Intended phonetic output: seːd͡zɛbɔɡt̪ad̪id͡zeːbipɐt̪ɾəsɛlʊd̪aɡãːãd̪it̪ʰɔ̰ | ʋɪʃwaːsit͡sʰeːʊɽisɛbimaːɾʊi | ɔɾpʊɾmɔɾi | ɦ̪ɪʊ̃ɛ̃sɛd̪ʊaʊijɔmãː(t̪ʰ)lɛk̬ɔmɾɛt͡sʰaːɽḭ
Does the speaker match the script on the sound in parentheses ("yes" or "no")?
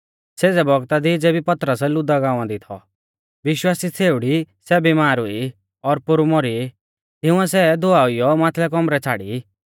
yes